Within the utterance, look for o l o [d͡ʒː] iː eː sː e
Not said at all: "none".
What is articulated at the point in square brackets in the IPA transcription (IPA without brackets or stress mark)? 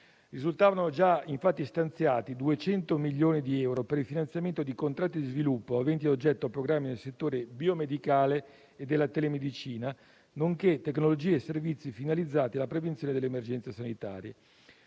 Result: d͡ʒ